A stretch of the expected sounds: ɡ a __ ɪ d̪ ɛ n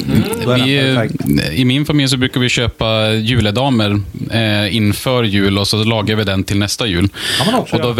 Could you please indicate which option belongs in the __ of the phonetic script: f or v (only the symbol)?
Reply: v